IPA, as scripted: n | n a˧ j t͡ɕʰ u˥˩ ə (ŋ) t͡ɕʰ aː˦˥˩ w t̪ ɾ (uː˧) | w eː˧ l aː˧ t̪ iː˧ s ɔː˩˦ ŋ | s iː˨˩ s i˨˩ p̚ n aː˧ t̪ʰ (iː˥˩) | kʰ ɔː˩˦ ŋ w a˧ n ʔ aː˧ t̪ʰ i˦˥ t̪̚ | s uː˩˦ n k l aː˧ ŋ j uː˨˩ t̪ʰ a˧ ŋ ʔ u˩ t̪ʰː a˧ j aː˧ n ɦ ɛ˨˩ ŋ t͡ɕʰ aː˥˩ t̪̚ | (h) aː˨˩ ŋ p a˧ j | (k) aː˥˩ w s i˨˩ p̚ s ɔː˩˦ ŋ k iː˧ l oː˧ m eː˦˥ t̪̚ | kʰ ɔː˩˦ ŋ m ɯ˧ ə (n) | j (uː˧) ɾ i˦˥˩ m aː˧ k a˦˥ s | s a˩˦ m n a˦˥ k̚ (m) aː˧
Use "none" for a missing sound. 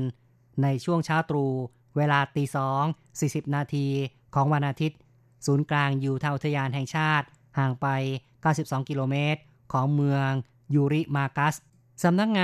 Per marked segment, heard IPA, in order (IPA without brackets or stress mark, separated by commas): ŋ, uː˧, iː˧, h, k, ŋ, uː˧, ŋ